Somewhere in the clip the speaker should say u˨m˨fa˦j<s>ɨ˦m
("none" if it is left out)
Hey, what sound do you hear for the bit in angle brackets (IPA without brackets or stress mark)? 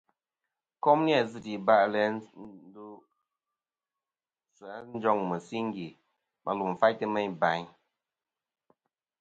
t